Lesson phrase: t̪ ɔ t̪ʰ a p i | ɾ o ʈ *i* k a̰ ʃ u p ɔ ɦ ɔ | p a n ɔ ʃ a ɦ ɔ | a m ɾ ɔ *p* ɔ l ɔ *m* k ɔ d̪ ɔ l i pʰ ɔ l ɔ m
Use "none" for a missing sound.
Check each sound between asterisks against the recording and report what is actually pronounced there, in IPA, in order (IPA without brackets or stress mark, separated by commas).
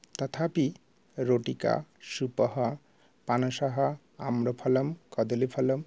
i, pʰ, m